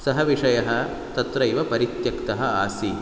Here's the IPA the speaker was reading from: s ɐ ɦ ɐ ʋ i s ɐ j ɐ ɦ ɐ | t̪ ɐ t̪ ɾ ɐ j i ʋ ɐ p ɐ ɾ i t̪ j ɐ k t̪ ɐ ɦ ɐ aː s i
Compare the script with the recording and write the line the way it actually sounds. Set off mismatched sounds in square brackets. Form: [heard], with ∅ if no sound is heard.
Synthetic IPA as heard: s ɐ ɦ ɐ ʋ i [ʂ] ɐ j ɐ ɦ ɐ | t̪ ɐ t̪ ɾ ɐ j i ʋ ɐ p ɐ ɾ i t̪ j ɐ k t̪ ɐ ɦ ɐ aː s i